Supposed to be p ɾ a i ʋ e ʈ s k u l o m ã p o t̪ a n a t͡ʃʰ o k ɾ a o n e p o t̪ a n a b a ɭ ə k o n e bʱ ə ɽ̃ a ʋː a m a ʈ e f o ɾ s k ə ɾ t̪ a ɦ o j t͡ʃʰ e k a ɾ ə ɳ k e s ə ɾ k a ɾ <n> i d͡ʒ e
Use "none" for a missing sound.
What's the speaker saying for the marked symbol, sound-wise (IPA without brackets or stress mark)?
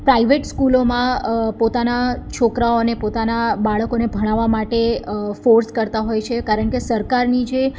n